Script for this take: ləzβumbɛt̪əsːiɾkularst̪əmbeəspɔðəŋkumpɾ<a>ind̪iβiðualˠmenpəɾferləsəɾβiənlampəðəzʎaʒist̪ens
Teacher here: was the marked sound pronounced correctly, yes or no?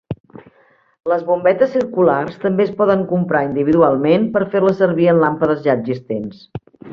yes